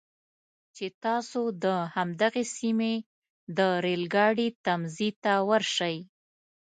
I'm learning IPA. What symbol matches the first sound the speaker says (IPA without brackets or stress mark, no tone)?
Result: t͡ʃ